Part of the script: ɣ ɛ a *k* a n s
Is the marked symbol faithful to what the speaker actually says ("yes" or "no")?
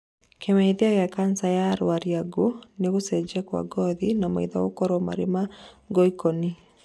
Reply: yes